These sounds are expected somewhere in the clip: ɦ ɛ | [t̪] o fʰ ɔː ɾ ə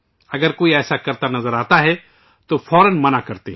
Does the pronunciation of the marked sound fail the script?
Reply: no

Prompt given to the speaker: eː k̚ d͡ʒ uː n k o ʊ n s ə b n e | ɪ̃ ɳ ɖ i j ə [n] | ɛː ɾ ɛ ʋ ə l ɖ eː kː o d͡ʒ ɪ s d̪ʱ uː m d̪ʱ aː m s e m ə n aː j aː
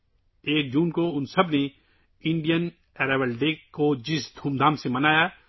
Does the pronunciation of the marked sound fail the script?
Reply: no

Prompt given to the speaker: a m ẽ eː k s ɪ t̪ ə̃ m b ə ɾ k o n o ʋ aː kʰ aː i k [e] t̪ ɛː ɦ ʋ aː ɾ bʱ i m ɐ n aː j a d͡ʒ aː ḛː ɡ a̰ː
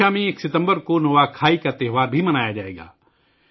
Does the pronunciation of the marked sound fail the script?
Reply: yes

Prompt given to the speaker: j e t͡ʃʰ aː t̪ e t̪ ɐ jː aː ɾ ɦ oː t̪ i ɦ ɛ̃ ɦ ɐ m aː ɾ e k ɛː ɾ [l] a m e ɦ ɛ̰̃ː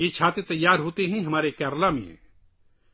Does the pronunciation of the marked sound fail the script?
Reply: no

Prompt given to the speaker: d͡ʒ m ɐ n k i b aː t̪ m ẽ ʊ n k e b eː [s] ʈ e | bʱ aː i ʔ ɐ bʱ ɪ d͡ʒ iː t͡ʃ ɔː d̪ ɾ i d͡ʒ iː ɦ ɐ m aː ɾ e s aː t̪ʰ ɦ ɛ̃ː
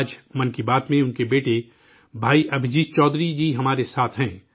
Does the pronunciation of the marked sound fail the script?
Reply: yes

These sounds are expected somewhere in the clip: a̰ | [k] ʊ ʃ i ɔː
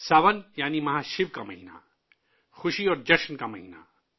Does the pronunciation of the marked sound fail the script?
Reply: yes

